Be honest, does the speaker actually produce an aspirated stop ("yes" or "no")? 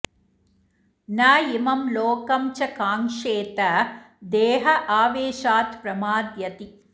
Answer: no